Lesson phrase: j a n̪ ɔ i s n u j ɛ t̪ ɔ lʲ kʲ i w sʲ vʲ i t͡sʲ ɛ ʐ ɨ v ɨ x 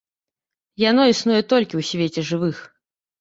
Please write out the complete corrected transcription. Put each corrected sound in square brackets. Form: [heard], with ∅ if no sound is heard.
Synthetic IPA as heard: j a n̪ ɔ i s n u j ɛ t̪ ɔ lʲ kʲ i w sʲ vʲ [e] t͡sʲ ɛ ʐ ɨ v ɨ x